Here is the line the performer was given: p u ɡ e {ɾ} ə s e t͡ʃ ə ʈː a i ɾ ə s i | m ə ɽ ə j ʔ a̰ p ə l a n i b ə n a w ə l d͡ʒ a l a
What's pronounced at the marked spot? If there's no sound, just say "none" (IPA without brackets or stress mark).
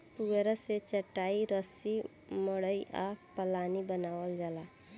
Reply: ɾ